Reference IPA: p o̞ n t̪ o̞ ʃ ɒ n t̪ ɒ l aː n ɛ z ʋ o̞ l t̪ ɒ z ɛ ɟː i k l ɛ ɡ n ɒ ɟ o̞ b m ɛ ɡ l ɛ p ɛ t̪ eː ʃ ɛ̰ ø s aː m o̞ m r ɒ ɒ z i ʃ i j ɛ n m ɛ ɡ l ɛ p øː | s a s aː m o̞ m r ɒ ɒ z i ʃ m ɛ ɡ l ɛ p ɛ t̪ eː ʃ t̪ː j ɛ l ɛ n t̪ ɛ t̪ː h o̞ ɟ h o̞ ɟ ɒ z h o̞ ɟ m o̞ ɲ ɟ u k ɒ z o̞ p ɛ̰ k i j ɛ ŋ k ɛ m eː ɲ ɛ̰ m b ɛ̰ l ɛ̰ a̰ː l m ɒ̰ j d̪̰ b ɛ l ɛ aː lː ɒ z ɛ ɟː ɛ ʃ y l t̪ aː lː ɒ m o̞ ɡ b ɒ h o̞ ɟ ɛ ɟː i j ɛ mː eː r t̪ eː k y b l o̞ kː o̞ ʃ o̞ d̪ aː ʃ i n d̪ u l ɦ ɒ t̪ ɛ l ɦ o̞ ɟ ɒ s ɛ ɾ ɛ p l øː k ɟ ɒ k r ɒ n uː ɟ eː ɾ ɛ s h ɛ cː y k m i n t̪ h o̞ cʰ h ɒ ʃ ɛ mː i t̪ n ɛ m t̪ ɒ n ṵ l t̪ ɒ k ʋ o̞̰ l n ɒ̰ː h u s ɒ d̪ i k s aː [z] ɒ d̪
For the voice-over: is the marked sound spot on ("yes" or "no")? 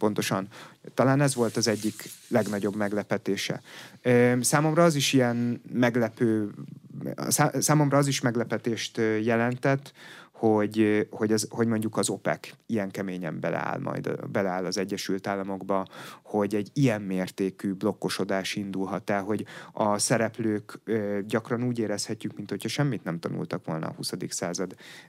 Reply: yes